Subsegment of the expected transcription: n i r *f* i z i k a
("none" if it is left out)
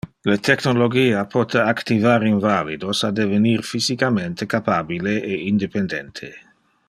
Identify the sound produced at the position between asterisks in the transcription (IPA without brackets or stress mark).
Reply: f